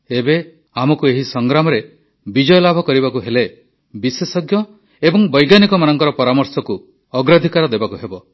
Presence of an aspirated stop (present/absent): absent